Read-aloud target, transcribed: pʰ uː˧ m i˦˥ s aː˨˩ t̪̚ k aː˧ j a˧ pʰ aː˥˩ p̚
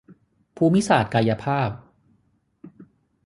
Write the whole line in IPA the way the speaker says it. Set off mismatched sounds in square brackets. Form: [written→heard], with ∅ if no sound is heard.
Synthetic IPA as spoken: pʰ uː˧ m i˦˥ s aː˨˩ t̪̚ k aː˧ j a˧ pʰ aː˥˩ p̚